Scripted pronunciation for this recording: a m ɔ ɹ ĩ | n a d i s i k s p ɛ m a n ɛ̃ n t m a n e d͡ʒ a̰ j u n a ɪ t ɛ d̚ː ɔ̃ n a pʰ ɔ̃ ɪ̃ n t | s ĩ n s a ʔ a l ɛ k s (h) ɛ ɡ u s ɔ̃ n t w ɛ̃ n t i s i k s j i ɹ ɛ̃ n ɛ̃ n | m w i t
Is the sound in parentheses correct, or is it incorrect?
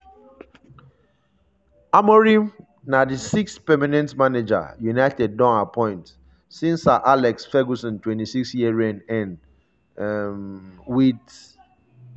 incorrect